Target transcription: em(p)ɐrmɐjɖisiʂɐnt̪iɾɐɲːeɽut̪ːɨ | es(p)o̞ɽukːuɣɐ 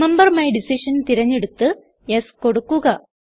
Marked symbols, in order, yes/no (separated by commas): no, no